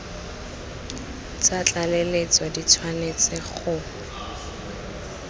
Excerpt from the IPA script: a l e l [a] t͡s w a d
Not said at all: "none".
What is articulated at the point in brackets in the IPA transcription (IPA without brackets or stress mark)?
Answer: e